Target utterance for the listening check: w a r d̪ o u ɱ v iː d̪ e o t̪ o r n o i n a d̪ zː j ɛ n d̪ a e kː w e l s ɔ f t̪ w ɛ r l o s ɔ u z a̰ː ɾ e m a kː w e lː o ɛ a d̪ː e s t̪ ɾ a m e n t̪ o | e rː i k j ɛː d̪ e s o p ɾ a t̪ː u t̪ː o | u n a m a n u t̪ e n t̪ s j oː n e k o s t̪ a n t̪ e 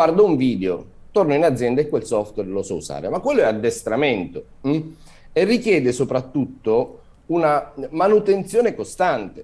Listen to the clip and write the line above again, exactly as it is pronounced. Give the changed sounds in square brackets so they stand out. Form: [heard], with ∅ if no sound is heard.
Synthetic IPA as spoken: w a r d̪ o u ɱ v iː d̪ e o t̪ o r n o i n a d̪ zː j ɛ n d̪ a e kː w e l s ɔ f t̪ w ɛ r l o s ɔ u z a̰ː ɾ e m a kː w e lː o ɛ a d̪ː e s t̪ ɾ a m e n t̪ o | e rː i k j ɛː d̪ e s o p ɾ a t̪ː u t̪ː o | u n a m a n u t̪ e n t̪ s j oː n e k o s t̪ a n t̪ e